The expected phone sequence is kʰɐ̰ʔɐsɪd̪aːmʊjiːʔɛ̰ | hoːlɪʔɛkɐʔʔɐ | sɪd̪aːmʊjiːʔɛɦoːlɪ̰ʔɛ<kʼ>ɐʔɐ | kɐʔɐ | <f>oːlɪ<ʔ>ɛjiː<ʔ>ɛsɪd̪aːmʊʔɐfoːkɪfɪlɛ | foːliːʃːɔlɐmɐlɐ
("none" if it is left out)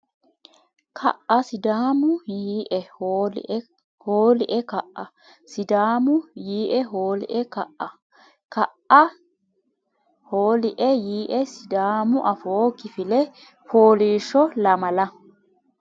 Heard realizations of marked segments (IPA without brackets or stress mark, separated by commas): k, h, ʔ, ʔ